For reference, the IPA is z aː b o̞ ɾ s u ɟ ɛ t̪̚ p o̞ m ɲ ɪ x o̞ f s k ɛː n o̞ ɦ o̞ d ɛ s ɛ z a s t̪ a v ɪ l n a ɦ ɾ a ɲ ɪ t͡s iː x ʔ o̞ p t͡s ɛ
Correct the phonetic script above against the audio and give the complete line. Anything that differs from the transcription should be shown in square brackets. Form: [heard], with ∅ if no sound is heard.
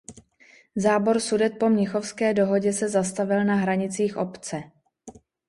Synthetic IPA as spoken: z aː b o̞ ɾ s u [d] ɛ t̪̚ p o̞ m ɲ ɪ x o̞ f s k ɛː [d] o̞ ɦ o̞ [ɟ] ɛ s ɛ z a s t̪ a v ɪ l n a ɦ ɾ a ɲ ɪ t͡s iː x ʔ o̞ p t͡s ɛ